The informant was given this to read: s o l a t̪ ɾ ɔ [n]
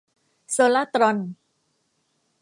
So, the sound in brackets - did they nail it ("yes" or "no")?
yes